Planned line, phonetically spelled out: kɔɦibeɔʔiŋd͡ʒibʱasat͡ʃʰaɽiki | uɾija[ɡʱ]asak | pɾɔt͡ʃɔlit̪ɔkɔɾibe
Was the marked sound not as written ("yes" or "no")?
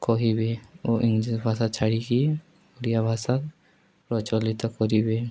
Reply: yes